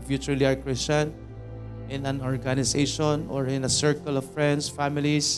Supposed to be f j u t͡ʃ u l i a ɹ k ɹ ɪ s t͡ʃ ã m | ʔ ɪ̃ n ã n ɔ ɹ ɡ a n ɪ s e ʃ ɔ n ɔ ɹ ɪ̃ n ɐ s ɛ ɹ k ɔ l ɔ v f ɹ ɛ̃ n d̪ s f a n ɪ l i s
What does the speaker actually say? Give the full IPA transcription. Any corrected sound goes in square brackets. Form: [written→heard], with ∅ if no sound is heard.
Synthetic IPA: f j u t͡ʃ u l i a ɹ k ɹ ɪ s t͡ʃ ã [m→n] | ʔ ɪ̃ n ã n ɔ ɹ ɡ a n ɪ s e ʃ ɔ n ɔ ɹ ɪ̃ n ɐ s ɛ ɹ k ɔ l ɔ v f ɹ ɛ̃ n d̪ s f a [n→m] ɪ l i s